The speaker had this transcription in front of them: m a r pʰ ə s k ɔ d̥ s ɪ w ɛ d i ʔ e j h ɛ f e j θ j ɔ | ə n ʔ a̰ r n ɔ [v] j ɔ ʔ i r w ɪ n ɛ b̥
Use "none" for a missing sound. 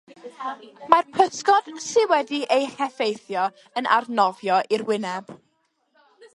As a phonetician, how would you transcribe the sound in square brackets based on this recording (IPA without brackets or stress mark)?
v